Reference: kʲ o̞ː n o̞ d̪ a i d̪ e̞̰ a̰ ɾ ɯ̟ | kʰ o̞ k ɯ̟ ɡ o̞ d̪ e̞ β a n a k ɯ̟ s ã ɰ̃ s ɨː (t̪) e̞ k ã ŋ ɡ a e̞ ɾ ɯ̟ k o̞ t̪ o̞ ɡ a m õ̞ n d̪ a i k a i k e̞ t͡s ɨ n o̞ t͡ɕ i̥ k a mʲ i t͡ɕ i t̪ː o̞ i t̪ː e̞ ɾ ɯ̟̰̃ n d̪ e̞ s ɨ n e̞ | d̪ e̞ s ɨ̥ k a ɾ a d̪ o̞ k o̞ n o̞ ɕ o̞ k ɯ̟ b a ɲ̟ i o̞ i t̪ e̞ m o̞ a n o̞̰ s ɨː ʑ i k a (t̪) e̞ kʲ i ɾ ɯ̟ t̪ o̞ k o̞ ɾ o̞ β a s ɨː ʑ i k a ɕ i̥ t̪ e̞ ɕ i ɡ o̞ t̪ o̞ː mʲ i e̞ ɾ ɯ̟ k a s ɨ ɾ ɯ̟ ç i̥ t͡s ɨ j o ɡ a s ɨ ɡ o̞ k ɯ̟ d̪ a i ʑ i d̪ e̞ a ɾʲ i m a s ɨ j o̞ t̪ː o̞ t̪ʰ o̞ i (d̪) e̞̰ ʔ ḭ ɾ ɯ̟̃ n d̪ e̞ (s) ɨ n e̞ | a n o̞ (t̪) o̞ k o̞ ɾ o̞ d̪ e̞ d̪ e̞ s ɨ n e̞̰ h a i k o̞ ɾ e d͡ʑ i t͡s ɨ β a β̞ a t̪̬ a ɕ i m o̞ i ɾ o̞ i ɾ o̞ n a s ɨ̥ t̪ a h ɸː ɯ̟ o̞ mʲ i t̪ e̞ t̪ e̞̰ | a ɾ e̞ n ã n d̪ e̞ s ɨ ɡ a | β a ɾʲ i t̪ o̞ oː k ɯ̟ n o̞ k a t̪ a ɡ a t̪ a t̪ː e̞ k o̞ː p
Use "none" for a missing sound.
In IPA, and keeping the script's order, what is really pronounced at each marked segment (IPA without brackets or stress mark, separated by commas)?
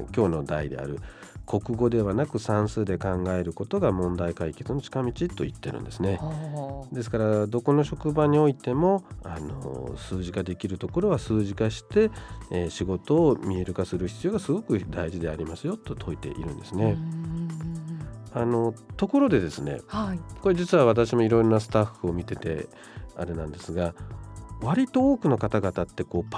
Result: d̪, d̪, t̪, s, t̪